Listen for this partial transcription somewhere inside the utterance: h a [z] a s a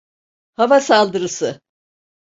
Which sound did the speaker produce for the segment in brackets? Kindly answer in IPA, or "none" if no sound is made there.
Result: v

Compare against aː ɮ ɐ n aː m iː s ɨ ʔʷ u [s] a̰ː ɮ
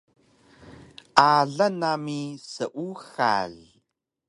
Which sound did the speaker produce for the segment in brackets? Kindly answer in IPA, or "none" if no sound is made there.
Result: x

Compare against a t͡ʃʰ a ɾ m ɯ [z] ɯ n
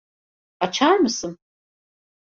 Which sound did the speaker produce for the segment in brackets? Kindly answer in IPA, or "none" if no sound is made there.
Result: s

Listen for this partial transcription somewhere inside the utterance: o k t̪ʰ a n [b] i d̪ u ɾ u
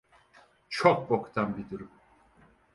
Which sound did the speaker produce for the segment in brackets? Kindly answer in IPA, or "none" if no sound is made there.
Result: b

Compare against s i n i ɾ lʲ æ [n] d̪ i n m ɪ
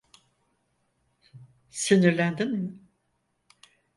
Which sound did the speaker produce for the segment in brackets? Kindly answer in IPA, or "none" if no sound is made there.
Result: n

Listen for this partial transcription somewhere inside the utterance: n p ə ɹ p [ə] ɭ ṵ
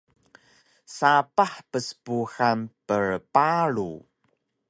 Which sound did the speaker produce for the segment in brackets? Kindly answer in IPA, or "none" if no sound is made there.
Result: a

